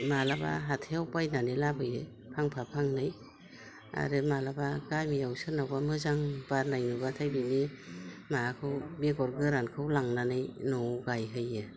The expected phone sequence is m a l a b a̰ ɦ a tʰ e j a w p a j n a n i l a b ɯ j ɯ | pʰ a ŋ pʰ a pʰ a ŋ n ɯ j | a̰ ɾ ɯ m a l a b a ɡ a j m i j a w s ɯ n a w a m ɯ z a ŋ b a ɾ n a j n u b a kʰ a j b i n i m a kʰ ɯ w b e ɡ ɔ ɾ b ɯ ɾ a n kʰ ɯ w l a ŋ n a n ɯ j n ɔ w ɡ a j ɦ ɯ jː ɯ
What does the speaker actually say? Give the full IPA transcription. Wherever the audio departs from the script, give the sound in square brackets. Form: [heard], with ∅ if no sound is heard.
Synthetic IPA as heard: m a l a b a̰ ɦ a tʰ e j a w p a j n a n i l a b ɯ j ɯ | pʰ a ŋ pʰ a pʰ a ŋ n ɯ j | a̰ ɾ ɯ m a l a b a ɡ a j m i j a w s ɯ n a w a m ɯ z a ŋ b a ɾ n a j n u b a [tʰ] a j b i n i m a kʰ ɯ w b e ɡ ɔ ɾ [ɡ] ɯ ɾ a n kʰ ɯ w l a ŋ n a n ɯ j n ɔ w ɡ a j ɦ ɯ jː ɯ

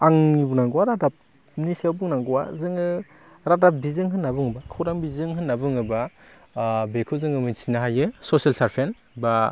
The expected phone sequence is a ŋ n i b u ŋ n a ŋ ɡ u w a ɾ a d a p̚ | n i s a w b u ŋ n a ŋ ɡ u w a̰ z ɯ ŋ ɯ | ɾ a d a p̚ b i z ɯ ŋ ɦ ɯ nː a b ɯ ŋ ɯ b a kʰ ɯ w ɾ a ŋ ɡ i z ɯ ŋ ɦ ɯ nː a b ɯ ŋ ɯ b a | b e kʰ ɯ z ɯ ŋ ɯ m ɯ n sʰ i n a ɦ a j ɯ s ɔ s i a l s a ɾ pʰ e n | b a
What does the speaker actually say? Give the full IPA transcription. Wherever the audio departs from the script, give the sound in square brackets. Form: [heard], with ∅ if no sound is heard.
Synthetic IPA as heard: a ŋ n i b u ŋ n a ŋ ɡ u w a ɾ a d a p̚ | n i s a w b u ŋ n a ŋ ɡ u w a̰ z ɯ ŋ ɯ | ɾ a d a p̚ b i z ɯ ŋ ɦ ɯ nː a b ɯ ŋ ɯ b a kʰ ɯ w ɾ a ŋ [b] i z ɯ ŋ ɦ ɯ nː a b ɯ ŋ ɯ b a | b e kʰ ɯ z ɯ ŋ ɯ m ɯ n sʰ i n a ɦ a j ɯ s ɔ s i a l s a ɾ pʰ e n | b a

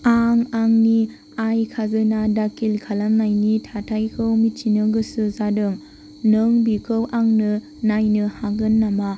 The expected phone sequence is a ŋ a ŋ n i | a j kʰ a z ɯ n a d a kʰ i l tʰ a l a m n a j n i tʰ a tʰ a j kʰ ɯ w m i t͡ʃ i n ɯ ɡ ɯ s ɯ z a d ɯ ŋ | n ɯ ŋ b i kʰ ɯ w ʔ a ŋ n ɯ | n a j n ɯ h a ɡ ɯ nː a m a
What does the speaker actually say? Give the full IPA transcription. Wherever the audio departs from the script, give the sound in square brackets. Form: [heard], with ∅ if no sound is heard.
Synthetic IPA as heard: a ŋ a ŋ n i | a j kʰ a z ɯ n a d a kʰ i l [kʰ] a l a m n a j n i tʰ a tʰ a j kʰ ɯ w m i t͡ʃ i n ɯ ɡ ɯ s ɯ z a d ɯ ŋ | n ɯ ŋ b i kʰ ɯ w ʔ a ŋ n ɯ | n a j n ɯ h a ɡ ɯ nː a m a

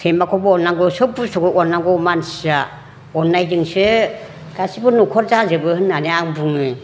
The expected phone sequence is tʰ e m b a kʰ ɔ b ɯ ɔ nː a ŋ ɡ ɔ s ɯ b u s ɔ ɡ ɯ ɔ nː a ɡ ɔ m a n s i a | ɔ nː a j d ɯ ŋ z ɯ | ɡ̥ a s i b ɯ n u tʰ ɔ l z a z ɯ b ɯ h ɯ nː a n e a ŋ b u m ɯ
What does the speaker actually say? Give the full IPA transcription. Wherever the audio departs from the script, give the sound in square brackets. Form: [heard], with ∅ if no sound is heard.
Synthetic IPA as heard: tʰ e m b a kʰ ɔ b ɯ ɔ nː a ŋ ɡ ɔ s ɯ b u s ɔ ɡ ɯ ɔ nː a ɡ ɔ m a n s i a | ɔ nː a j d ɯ ŋ [s] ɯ | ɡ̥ a s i b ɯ n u [kʰ] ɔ [ɾ] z a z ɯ b ɯ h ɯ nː a n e a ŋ b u [ŋ] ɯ

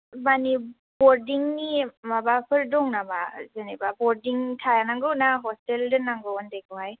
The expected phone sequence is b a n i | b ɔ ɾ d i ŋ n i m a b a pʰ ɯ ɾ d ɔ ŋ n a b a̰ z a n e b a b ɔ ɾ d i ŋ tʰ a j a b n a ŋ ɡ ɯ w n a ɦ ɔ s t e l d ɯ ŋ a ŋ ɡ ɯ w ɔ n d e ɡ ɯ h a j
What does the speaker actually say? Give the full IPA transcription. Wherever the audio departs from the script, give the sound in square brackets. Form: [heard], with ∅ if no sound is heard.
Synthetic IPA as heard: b a n i | b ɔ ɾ d i ŋ n i m a b a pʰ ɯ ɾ d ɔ ŋ n a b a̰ z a n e b a b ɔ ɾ d i ŋ tʰ a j a [∅] n a ŋ ɡ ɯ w n a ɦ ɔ s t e l d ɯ [n] a ŋ ɡ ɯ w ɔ n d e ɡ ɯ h a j

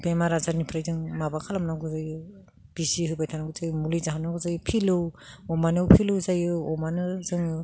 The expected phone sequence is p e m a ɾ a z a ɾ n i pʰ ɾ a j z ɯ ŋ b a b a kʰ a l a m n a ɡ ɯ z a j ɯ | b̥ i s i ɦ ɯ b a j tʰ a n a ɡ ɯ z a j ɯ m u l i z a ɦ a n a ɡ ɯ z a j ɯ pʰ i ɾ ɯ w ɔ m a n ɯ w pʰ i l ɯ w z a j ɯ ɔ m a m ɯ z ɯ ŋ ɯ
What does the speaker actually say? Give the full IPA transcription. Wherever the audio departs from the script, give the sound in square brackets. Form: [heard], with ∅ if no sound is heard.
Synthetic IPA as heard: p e m a ɾ a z a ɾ n i pʰ ɾ a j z ɯ ŋ [m] a b a kʰ a l a m n a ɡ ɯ z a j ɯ | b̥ i s i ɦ ɯ b a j tʰ a n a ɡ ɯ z a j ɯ m u l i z a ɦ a n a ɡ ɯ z a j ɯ pʰ i [l] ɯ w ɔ m a n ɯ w pʰ i l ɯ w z a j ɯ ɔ m a [n] ɯ z ɯ ŋ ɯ

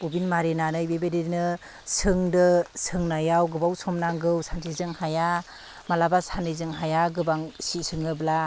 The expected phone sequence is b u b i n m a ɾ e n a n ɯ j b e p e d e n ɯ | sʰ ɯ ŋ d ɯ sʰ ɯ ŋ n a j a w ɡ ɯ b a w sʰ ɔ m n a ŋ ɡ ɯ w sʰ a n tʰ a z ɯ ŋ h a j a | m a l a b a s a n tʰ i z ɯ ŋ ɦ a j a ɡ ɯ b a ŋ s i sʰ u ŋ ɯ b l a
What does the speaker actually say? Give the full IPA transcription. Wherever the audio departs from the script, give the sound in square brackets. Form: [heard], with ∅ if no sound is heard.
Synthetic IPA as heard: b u b i n m a ɾ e n a n ɯ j b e [b] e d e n ɯ | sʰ ɯ ŋ d ɯ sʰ ɯ ŋ n a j a w ɡ ɯ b a w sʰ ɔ m n a ŋ ɡ ɯ w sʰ a n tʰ [i] z ɯ ŋ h a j a | m a l a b a s a n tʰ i z ɯ ŋ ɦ a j a ɡ ɯ b a ŋ s i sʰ [ɯ] ŋ ɯ b l a

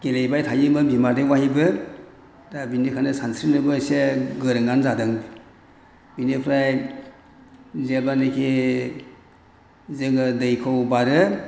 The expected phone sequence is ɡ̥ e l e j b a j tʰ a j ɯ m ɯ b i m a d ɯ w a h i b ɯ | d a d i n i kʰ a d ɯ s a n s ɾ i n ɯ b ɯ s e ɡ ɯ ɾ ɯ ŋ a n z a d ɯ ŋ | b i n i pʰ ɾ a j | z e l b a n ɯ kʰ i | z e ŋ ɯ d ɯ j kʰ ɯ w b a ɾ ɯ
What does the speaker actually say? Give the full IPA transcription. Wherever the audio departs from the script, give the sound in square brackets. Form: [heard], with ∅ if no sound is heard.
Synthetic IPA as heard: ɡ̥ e l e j b a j tʰ a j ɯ m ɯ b i m a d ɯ w a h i b ɯ | d a [b] i n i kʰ a [n] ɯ s a n s ɾ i n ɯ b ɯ s e ɡ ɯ ɾ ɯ ŋ a n z a d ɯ ŋ | b i n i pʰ ɾ a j | z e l b a n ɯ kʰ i | z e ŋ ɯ d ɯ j kʰ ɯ w b a ɾ ɯ

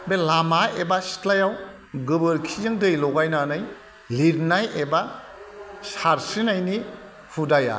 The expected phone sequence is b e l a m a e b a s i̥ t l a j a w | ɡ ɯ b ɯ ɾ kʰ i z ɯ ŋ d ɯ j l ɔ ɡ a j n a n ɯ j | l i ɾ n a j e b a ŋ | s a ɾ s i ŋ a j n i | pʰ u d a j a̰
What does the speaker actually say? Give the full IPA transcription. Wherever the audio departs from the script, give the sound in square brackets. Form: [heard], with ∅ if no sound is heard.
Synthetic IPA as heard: b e l a m a e b a s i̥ t l a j a w | ɡ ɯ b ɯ ɾ kʰ i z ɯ ŋ d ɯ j l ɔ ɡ a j n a n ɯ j | l i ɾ n a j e b a [∅] | s a ɾ s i [n] a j n i | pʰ u d a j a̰

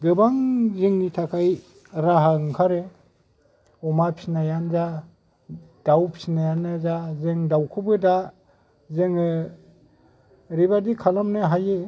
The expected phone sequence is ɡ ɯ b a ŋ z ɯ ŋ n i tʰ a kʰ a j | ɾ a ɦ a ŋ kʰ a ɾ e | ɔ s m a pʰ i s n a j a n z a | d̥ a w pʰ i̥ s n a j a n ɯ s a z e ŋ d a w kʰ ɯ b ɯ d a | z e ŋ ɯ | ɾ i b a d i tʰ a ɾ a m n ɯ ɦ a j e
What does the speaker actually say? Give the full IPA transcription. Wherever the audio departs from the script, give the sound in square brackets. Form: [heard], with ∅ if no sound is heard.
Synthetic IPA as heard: ɡ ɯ b a ŋ z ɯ ŋ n i tʰ a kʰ a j | ɾ a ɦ a ŋ kʰ a ɾ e | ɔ [∅] m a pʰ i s n a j a n z a | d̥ a w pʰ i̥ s n a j a n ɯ [z] a z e ŋ d a w kʰ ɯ b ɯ d a | z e ŋ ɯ | ɾ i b a d i [kʰ] a [l] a m n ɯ ɦ a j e

